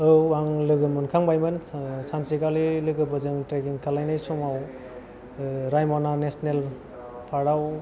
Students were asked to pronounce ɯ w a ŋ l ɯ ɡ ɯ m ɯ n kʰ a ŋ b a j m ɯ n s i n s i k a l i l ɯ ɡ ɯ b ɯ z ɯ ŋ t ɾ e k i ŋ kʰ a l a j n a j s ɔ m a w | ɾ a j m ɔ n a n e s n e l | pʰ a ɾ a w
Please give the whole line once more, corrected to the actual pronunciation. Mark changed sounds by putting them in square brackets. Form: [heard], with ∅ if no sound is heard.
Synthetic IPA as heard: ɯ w a ŋ l ɯ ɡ ɯ m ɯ n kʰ a ŋ b a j m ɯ n s [a] n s i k a l i l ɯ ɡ ɯ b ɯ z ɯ ŋ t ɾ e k i ŋ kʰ a l a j n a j s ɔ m a w | ɾ a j m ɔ n a n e s n e l | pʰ a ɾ a w